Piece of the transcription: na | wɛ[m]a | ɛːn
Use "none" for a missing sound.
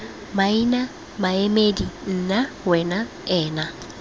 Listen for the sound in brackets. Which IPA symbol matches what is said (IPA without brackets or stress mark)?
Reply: n